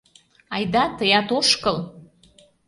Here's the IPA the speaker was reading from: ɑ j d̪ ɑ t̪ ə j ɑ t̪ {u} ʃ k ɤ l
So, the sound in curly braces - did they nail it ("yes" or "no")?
no